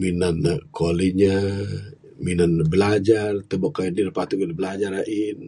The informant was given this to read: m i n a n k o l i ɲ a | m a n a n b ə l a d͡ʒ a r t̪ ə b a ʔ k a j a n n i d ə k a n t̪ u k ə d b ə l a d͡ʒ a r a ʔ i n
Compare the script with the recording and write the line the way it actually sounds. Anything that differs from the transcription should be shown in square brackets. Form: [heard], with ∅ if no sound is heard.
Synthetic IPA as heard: m i n a n k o l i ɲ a | m [i] n a n b ə l a d͡ʒ a r t̪ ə b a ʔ k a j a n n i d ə [p] a [∅] t̪ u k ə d b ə l a d͡ʒ a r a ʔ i n